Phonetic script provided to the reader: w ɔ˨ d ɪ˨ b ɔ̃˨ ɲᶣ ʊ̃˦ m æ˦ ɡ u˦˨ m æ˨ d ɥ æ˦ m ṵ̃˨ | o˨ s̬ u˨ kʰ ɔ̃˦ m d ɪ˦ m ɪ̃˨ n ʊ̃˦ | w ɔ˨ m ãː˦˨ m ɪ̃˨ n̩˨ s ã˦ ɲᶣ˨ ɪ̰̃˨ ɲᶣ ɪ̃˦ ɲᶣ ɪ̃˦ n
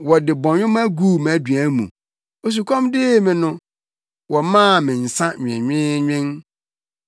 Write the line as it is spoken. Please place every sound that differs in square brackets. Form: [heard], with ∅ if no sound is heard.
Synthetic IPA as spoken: w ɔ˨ d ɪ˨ b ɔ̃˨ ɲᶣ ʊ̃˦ m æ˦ ɡ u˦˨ m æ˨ d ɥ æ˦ m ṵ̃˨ | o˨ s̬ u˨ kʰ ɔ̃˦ m d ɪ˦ m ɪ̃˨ n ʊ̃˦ | w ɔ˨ m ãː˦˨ m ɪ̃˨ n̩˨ s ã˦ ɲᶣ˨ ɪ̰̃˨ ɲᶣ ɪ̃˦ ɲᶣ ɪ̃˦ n